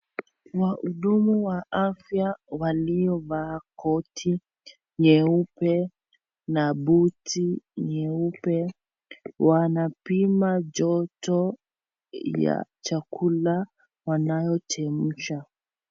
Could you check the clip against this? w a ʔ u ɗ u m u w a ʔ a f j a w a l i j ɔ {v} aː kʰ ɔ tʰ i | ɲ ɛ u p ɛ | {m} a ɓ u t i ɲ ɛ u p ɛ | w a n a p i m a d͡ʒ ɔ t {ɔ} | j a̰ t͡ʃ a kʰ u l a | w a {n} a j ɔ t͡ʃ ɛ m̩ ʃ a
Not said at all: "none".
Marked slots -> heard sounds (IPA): v, n, ɔ, n

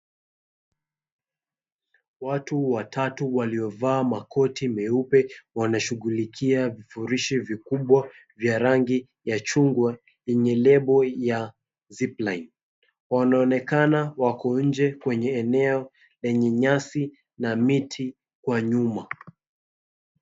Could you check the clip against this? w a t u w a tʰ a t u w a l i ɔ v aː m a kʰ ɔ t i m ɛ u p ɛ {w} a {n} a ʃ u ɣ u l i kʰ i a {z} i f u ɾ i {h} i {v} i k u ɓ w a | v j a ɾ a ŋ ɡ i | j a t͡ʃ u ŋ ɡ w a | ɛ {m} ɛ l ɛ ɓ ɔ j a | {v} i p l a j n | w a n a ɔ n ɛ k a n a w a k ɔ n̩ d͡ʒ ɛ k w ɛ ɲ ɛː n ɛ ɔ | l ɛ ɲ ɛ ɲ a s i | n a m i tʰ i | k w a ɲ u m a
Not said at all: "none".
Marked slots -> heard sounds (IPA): w, n, v, ʃ, v, ɲ, z

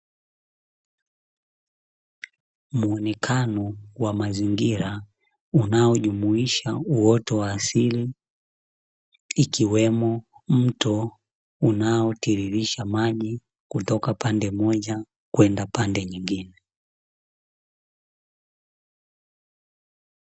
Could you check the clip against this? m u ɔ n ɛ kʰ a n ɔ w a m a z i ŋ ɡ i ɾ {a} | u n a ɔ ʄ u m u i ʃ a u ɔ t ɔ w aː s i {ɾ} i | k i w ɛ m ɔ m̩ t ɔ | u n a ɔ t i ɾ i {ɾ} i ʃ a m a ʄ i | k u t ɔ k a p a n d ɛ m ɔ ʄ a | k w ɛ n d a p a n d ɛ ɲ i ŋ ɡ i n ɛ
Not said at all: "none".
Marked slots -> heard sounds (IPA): a, l, ɾ

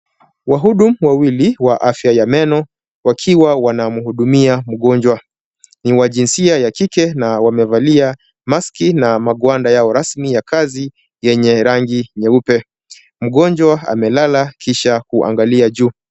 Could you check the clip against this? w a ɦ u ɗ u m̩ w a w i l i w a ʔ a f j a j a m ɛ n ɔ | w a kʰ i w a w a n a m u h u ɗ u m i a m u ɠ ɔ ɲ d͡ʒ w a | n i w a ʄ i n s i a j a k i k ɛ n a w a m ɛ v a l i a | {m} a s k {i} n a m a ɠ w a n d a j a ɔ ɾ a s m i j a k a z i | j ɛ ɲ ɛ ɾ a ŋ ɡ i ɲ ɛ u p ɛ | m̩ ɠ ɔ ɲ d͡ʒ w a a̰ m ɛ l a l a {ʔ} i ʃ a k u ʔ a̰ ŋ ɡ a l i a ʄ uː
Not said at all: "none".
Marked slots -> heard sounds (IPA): m, i, k

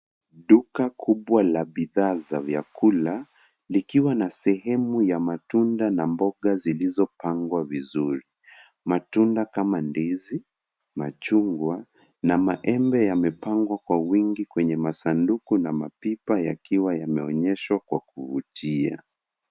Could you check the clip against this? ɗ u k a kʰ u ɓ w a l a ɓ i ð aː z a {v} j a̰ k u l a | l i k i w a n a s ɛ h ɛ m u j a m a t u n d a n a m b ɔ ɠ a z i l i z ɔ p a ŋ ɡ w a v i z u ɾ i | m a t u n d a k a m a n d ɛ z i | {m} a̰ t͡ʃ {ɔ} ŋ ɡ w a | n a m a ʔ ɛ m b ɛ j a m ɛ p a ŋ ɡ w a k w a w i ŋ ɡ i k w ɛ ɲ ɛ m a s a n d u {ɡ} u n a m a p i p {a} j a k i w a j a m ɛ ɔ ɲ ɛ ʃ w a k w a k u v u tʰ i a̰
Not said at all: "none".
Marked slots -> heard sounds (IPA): v, m, u, k, a

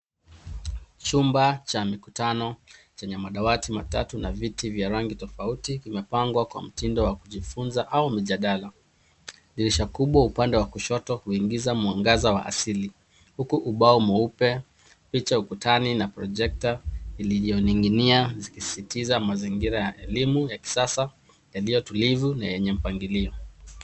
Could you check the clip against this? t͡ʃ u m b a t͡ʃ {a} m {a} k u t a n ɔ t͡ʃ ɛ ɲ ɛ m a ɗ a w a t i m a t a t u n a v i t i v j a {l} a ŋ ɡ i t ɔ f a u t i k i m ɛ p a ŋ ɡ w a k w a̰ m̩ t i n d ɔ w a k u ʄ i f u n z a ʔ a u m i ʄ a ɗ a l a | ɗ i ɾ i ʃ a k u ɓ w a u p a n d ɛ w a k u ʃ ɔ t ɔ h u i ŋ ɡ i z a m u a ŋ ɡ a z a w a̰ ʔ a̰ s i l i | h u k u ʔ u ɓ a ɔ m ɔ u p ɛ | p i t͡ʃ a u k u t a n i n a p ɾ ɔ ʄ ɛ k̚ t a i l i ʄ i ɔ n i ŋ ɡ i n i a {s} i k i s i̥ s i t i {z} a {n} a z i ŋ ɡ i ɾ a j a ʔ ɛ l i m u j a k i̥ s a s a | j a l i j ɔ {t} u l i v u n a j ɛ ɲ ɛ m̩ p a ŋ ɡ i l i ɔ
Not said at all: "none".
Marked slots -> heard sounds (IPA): a, i, ɾ, z, z, m, t

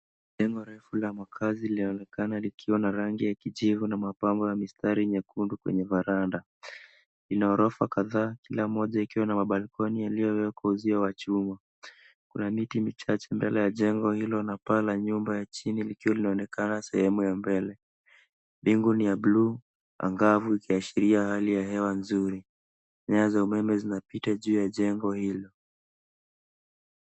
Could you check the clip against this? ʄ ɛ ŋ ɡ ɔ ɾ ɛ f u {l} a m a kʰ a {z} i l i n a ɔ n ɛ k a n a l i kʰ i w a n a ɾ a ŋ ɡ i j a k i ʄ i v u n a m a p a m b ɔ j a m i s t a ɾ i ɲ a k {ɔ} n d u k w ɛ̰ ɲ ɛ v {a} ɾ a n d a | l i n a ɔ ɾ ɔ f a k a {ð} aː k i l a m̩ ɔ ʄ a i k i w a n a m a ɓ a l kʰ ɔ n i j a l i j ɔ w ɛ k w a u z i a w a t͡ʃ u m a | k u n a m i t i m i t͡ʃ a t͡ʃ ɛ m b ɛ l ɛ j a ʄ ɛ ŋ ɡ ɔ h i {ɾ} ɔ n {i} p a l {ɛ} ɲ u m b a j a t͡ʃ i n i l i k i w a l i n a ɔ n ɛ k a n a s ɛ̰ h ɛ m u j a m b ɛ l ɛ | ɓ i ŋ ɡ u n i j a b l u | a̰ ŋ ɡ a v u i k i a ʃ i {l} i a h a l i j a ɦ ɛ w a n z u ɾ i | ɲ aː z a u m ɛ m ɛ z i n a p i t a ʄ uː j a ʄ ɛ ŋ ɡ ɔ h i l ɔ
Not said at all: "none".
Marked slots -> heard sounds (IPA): l, z, u, a, ð, l, a, a, ɾ

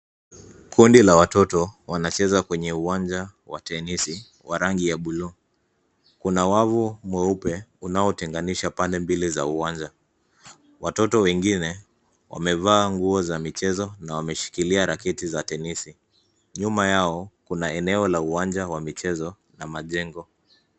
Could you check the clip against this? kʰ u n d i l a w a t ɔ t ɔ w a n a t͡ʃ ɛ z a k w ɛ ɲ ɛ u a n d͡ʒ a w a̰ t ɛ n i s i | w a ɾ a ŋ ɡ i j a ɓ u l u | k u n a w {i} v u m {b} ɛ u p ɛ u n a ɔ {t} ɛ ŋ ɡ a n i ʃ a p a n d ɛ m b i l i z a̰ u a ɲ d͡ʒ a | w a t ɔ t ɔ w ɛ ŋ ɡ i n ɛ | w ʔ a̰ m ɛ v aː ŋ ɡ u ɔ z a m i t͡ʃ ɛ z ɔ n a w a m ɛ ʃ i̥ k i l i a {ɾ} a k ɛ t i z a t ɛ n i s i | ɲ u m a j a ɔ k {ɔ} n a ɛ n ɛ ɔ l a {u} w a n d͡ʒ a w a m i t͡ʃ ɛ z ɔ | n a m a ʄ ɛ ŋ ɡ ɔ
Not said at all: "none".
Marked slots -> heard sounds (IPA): a, w, t, ɾ, u, u

